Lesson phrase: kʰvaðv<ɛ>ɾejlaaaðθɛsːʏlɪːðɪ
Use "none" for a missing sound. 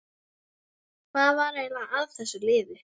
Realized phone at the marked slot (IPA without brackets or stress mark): a